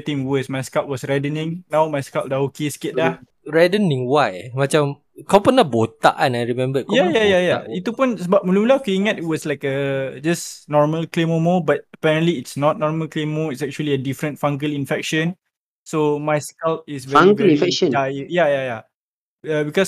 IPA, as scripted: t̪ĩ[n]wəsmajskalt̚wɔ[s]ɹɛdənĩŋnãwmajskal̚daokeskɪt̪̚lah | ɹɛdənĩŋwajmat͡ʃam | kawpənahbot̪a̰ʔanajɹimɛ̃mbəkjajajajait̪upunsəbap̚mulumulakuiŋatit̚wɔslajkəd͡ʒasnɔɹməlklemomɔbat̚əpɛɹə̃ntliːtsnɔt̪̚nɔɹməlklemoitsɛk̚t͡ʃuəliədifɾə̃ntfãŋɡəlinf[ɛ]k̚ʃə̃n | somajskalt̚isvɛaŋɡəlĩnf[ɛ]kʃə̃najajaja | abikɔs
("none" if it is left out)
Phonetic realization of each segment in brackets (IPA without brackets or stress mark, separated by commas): ŋ, s, ɛ, ɛ